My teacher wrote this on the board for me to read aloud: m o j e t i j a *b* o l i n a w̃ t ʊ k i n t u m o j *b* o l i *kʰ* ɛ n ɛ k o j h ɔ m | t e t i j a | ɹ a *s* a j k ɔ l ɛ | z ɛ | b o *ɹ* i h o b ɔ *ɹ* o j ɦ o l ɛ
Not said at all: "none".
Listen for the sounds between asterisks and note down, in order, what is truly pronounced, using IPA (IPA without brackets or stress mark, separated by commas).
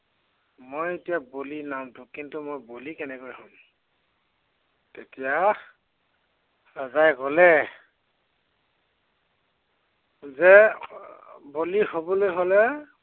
b, b, k, z, l, l